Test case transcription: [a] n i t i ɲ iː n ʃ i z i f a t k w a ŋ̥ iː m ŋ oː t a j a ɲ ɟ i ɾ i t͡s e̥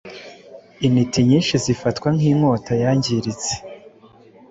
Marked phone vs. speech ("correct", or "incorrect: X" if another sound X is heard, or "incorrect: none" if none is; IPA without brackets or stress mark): incorrect: i